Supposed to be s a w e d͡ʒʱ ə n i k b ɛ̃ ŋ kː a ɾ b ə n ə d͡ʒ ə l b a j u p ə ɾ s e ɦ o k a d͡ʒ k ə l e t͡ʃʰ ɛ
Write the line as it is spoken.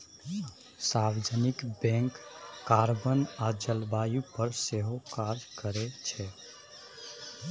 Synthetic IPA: s a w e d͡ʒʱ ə n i k b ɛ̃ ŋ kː a ɾ b ə n a d͡ʒ ə l b a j u p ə ɾ s e ɦ o k a d͡ʒ k ə ɾ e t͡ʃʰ ɛ